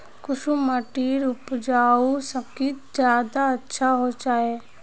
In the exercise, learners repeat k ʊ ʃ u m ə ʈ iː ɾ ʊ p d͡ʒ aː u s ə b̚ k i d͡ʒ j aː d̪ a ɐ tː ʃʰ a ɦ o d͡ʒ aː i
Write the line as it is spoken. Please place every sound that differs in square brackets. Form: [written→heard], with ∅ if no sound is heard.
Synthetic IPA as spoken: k ʊ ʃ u m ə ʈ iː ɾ ʊ p d͡ʒ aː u s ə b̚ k i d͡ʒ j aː d̪ a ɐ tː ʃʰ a ɦ o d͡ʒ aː [i→e]